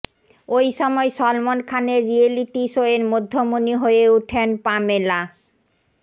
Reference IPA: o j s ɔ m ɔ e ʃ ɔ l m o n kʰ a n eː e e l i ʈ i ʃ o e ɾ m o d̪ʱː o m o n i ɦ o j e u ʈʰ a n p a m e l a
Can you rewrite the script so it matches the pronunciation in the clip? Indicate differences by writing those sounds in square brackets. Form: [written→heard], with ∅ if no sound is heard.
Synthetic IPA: o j [s→ʃ] ɔ m ɔ e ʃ ɔ l m o n kʰ a n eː [e→i] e l i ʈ i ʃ o e ɾ m o d̪ʱː o m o n i ɦ o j e u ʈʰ [a→e] n p a m e l a